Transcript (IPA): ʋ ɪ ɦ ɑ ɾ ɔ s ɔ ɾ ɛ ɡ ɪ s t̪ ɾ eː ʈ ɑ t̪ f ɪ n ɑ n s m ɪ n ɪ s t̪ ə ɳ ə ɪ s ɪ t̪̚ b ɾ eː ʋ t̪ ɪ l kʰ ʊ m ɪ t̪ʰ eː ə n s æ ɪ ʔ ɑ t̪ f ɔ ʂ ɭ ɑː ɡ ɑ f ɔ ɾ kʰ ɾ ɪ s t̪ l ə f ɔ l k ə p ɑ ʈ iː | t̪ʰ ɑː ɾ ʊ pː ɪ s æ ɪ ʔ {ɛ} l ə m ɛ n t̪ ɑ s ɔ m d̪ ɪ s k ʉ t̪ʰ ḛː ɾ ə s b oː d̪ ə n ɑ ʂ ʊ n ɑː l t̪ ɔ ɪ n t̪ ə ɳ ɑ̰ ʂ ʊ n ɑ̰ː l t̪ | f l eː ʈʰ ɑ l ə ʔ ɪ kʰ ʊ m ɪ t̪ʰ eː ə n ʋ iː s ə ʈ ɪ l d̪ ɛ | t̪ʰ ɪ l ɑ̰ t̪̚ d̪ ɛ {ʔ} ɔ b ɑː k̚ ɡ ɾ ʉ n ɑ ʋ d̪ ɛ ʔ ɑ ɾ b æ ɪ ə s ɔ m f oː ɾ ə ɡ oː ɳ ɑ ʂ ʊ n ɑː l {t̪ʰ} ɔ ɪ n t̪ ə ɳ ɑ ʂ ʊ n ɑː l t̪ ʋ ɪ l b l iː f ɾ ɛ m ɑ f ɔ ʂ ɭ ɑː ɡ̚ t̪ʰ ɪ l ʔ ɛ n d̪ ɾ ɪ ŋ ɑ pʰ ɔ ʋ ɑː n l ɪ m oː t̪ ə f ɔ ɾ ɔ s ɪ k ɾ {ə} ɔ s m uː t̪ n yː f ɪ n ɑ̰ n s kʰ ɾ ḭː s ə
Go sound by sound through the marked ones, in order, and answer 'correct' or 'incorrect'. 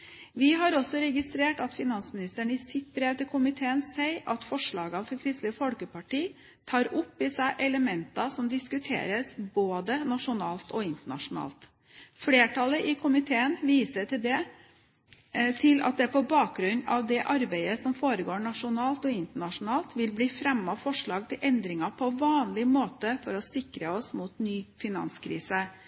correct, incorrect, incorrect, correct

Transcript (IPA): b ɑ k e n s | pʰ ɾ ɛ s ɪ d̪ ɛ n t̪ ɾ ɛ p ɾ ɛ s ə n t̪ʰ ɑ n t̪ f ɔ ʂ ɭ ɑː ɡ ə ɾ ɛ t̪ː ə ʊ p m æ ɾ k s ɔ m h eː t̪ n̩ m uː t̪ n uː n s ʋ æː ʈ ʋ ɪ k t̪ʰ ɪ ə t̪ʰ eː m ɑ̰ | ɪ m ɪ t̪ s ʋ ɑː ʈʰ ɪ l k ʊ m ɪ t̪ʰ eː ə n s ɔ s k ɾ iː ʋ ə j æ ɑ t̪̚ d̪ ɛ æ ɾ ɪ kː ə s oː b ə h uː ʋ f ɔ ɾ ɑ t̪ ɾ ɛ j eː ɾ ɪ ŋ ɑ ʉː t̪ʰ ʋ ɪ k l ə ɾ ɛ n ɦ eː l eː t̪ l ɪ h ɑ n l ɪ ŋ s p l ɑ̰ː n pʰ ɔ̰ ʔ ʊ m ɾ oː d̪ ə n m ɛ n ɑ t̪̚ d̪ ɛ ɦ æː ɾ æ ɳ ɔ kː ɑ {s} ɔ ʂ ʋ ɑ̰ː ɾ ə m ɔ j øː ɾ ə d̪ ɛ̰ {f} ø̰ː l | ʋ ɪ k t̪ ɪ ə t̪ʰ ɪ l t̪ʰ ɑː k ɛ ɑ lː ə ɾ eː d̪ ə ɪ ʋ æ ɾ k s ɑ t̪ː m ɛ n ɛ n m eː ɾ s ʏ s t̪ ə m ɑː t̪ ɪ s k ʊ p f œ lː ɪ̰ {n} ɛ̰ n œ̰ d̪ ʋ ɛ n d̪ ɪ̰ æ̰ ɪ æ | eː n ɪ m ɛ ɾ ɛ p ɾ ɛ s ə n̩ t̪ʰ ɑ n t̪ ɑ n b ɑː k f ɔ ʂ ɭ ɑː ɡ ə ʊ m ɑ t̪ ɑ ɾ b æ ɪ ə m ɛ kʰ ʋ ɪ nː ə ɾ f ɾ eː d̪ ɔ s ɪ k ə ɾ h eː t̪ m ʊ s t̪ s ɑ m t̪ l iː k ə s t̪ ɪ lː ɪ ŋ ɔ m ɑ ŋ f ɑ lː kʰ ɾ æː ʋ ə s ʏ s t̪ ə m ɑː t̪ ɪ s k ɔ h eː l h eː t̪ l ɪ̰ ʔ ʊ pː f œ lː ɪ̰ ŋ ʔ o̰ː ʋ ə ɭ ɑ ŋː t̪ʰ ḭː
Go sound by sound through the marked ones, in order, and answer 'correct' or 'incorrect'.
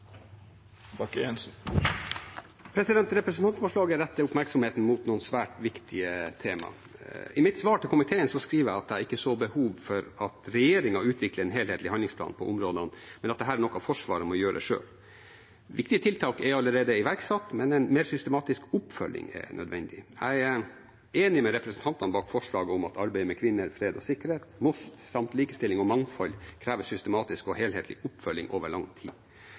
incorrect, incorrect, incorrect

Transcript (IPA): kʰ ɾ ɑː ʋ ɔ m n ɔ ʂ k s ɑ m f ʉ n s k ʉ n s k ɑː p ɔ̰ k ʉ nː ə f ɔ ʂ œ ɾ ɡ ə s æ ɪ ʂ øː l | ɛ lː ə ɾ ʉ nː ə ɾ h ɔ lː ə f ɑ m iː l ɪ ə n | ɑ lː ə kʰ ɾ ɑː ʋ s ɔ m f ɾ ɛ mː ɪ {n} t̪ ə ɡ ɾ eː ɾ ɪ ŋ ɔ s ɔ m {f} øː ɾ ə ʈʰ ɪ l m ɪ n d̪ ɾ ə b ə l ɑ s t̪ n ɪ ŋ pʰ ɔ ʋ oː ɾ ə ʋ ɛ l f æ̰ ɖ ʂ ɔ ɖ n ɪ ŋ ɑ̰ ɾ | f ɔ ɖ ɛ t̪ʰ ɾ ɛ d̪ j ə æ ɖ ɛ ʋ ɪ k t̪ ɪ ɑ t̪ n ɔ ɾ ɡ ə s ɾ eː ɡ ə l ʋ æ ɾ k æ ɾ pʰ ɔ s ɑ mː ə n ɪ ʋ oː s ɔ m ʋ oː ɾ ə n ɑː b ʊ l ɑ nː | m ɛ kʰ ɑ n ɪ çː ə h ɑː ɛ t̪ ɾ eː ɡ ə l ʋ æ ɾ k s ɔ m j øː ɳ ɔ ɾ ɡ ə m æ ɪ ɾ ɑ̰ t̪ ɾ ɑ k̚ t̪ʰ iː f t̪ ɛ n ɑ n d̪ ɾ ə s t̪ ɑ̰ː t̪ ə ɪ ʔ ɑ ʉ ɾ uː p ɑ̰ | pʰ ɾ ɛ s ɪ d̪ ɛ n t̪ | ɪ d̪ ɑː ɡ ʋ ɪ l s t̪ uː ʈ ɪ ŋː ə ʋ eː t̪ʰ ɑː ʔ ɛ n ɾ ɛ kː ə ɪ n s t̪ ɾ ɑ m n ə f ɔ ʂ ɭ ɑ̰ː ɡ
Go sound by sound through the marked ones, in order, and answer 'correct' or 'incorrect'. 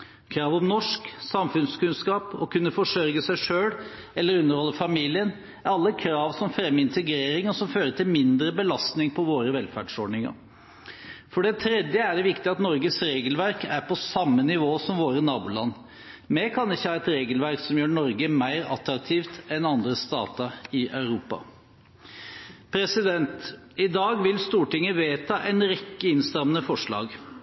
correct, correct

